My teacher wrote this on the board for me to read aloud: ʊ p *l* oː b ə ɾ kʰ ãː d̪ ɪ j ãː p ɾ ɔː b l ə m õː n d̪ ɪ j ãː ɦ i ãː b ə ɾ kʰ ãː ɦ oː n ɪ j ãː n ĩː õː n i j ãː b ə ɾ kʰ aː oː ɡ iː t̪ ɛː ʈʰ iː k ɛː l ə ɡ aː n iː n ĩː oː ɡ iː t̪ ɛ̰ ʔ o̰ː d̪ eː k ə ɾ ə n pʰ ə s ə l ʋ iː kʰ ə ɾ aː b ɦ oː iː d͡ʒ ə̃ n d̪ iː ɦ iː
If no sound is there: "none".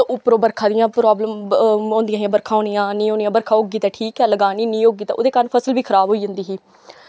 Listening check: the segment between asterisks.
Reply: ɾ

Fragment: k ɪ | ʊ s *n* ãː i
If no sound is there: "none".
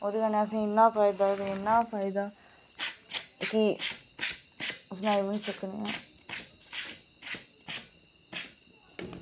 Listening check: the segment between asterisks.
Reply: n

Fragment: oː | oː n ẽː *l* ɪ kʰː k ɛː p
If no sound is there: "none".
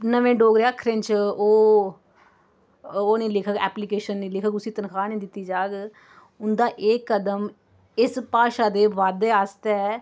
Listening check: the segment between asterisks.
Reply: l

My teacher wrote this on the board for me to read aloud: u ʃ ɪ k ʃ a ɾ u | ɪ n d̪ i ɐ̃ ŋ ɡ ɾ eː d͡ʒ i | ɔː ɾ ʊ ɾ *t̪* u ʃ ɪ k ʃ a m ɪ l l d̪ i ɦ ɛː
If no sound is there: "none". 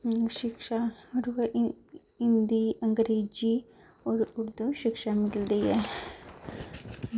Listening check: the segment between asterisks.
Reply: d̪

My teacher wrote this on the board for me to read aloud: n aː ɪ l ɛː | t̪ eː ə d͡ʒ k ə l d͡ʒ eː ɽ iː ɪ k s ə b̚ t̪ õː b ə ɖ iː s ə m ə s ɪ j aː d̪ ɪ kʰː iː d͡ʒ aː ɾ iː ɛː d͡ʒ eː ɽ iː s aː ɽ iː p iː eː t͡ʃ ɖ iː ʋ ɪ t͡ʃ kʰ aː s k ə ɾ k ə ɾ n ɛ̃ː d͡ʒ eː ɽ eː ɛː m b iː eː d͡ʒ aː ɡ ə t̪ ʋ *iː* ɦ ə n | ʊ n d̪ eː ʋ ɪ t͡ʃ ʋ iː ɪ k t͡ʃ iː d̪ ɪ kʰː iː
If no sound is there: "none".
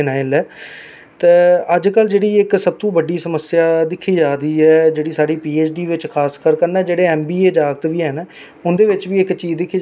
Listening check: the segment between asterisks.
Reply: iː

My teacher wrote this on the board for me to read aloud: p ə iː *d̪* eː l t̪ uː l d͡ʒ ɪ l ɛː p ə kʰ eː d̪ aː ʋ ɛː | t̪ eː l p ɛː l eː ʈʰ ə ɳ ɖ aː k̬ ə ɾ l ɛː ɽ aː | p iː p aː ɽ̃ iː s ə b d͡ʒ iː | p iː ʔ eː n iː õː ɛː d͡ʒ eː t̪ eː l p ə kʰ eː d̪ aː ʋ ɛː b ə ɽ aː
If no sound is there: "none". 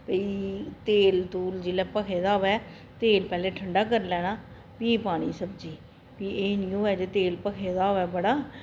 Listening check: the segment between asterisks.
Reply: t̪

